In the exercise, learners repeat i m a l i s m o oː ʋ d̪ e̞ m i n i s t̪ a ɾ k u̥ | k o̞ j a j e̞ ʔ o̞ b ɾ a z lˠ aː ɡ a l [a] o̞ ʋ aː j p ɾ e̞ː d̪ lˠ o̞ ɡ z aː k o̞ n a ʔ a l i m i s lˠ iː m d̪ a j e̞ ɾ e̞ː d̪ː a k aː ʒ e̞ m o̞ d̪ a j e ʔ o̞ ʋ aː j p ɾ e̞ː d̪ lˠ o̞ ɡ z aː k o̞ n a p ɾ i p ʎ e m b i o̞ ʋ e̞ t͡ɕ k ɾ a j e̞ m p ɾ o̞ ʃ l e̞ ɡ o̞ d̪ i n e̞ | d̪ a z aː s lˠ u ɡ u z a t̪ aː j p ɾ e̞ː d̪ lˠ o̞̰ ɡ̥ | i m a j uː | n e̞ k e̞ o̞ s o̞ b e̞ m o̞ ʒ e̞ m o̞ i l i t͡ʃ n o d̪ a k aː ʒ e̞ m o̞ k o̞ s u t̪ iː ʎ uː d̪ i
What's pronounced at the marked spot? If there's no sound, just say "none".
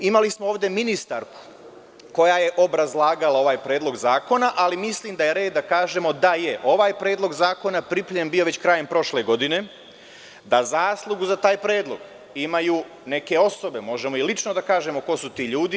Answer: a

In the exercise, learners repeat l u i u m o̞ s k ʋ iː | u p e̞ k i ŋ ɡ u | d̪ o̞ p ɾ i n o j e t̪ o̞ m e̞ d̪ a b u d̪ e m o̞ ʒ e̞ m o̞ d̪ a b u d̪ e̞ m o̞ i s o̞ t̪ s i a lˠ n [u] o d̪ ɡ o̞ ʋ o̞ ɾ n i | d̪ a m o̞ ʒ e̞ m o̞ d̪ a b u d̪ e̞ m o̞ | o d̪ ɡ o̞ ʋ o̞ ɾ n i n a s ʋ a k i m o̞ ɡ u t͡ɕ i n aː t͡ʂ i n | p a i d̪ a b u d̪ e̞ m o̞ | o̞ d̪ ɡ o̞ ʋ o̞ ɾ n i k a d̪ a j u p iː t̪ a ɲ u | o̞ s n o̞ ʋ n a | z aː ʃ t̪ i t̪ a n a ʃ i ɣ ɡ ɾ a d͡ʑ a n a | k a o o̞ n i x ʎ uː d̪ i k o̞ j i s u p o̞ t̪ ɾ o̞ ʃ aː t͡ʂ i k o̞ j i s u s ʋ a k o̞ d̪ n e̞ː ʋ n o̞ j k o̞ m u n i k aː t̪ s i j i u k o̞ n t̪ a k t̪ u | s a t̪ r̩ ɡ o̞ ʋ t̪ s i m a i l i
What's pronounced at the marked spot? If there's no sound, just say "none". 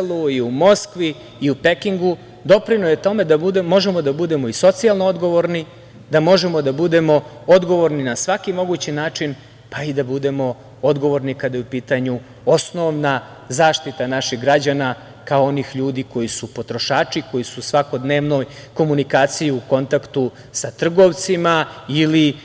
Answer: o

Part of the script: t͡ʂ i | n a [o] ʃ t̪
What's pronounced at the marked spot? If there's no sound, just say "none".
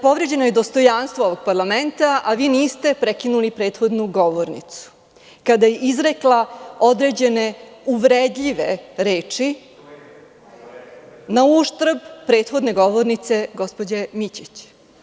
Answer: u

